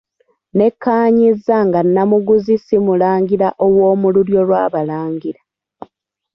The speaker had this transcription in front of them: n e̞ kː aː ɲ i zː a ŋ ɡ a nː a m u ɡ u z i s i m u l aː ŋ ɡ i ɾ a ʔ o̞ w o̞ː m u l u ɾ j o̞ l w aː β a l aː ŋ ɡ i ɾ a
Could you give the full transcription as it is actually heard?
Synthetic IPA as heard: n e̞ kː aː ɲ i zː a ŋ ɡ a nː a m u ɡ u z i s i m u l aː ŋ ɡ i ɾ a ʔ o̞ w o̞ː m u l u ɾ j o̞ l w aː β a l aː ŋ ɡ i ɾ a